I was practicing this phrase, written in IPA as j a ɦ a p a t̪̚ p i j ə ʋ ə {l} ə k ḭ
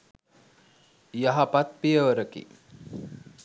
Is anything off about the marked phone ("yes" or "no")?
yes